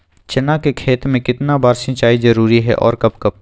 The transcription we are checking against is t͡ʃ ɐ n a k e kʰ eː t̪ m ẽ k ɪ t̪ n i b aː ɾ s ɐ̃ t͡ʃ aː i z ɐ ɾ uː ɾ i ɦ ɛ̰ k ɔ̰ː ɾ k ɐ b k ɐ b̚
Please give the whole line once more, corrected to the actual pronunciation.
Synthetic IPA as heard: t͡ʃ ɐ n a k e kʰ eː t̪ m ẽ k ɪ t̪ n a b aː ɾ s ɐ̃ t͡ʃ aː i z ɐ ɾ uː ɾ i ɦ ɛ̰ ʔ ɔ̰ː ɾ k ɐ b k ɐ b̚

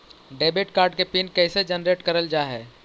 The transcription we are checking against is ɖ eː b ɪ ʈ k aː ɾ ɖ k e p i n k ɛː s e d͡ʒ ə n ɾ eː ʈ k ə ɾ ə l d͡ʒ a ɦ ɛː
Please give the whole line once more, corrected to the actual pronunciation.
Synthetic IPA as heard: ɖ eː b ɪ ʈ k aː ɾ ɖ k e p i n k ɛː s e d͡ʒ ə n ɾ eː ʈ k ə ɾ ə l d͡ʒ a ɦ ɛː

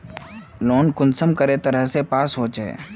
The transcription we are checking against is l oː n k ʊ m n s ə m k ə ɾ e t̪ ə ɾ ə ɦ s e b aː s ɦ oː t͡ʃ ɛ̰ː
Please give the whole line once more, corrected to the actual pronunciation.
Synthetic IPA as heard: l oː n k ʊ n s ə m k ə ɾ e t̪ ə ɾ ə ɦ s e p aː s ɦ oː t͡ʃ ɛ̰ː

